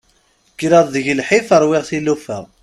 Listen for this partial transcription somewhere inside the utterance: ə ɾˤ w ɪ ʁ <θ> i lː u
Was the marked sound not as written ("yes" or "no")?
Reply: no